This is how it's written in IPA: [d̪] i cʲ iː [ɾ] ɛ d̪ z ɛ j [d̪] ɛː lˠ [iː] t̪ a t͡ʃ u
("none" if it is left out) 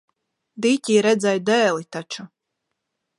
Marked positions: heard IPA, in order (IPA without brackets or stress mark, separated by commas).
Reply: d̪, ɾ, d̪, i